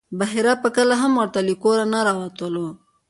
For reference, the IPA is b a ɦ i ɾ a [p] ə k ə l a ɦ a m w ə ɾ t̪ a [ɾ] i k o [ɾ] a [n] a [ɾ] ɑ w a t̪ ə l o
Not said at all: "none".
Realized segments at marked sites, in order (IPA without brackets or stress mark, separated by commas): p, l, ɾ, n, ɾ